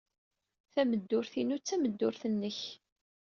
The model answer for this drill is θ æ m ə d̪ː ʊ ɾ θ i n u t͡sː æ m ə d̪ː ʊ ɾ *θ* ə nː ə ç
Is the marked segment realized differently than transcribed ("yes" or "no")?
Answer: no